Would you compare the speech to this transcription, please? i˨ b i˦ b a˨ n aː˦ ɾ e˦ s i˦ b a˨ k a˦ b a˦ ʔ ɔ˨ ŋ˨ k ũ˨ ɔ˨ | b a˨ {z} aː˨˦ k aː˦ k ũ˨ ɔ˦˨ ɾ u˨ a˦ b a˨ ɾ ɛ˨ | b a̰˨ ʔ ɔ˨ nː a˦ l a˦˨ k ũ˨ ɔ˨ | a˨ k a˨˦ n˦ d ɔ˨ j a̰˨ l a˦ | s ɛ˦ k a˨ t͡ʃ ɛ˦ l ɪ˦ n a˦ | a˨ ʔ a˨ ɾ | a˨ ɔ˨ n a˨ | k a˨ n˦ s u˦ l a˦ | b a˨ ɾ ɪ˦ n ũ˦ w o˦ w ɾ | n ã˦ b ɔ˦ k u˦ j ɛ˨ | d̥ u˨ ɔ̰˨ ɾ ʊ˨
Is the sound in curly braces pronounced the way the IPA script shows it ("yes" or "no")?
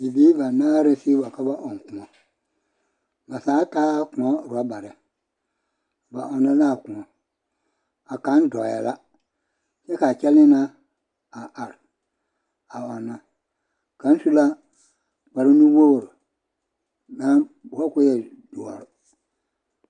no